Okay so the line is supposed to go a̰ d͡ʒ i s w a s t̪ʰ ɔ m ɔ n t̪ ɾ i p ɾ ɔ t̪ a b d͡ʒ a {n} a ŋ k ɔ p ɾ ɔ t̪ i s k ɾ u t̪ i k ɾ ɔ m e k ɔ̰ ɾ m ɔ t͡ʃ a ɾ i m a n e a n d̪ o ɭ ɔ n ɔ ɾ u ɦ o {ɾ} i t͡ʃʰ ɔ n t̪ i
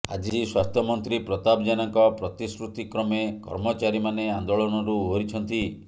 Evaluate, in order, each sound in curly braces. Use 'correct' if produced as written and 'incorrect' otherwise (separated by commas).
correct, correct